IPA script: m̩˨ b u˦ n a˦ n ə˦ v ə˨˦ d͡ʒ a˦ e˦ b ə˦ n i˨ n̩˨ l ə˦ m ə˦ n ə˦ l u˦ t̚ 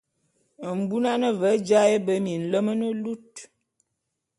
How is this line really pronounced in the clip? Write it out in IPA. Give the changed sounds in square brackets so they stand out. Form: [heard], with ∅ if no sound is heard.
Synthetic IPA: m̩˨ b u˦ n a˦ n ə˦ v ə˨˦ d͡ʒ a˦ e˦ b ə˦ [m] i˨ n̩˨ l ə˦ m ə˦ n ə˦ l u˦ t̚